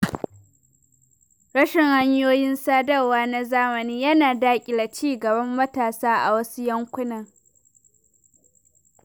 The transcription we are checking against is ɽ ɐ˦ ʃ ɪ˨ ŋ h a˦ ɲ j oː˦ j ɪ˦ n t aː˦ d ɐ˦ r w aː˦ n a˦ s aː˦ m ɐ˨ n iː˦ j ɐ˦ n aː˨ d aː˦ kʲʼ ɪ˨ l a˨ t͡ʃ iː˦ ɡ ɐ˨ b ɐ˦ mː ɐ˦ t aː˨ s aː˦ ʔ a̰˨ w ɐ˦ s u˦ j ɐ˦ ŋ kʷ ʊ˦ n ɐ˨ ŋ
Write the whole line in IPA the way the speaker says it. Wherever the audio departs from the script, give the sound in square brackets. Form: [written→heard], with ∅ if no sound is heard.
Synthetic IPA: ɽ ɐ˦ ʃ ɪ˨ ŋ h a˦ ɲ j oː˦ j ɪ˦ n [t→s] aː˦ d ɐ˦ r w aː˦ n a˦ [s→z] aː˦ m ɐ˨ n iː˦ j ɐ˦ n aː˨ d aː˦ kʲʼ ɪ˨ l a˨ t͡ʃ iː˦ ɡ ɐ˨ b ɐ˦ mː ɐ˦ t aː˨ s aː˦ ʔ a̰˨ w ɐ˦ s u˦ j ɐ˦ ŋ kʷ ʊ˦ n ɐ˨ ŋ